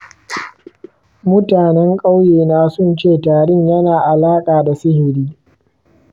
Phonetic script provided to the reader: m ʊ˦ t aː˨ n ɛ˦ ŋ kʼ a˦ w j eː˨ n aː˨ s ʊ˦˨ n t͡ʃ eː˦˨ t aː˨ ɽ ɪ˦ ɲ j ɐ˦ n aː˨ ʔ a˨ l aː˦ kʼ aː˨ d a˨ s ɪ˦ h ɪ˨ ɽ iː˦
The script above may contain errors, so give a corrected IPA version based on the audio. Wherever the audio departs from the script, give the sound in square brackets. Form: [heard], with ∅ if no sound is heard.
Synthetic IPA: m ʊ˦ t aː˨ n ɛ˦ ŋ kʼ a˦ w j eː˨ n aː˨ s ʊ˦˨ n t͡ʃ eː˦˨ t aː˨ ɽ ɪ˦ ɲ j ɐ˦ n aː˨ ʔ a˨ l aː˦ kʼ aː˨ d a˨ s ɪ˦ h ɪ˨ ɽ iː˦